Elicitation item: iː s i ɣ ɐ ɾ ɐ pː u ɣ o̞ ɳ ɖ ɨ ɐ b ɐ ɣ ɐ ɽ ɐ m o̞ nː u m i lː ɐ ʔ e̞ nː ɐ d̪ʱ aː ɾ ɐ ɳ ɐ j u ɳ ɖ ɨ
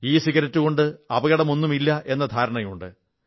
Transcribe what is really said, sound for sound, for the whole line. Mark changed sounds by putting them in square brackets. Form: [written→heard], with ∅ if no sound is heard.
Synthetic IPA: iː s i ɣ ɐ ɾ ɐ [pː→tː] u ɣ o̞ ɳ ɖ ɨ ɐ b ɐ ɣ ɐ ɽ ɐ m o̞ nː u m i lː ɐ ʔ e̞ nː ɐ d̪ʱ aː ɾ ɐ ɳ ɐ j u ɳ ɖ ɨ